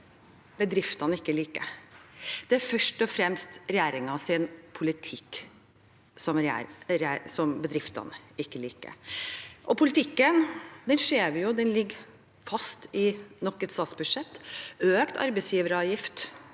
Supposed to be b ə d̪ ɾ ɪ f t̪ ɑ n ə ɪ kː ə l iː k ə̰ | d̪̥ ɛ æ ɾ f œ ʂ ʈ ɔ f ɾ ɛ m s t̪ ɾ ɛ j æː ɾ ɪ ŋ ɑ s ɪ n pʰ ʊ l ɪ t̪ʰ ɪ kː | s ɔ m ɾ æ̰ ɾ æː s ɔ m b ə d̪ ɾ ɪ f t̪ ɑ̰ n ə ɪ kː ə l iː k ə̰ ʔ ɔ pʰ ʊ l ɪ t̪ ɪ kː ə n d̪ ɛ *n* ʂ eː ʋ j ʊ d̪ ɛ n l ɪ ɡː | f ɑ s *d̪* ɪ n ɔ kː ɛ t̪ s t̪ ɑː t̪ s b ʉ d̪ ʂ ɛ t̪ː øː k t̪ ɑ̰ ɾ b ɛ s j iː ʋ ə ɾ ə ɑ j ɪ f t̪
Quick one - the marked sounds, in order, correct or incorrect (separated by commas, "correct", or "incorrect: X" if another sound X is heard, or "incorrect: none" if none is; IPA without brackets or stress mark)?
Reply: correct, incorrect: t̪